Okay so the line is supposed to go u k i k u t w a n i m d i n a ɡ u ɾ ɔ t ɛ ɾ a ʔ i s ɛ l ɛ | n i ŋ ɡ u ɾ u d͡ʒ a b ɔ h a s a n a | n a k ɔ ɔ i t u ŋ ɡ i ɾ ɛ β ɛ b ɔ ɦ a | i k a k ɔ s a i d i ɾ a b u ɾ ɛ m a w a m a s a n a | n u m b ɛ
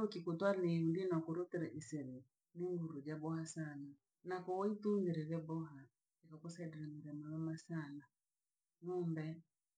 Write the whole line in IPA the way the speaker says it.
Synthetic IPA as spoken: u k i k u t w a n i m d i n a k u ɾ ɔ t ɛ ɾ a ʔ i s ɛ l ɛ | n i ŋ ɡ u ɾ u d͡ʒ a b ɔ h a s a n a | n a k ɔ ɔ i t u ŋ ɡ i ɾ ɛ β ɛ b ɔ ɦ a | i k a k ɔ s a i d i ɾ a m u ɾ ɛ m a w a m a s a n a | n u m b ɛ